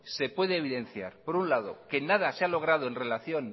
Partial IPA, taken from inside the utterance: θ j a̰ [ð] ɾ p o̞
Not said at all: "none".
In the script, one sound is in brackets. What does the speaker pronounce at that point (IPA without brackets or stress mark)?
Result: none